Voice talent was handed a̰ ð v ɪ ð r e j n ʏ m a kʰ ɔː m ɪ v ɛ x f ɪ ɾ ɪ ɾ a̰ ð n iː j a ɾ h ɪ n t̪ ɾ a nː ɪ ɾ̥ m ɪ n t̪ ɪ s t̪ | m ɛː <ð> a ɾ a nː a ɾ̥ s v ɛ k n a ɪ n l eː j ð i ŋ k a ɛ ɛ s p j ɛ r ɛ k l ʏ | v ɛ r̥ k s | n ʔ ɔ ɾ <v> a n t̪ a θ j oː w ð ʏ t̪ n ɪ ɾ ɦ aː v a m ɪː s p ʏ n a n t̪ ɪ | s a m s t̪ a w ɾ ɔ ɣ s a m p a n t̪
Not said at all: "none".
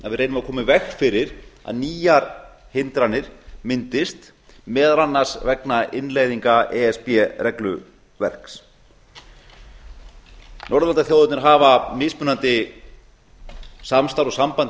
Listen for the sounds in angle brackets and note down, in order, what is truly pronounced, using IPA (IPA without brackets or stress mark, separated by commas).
ð, ð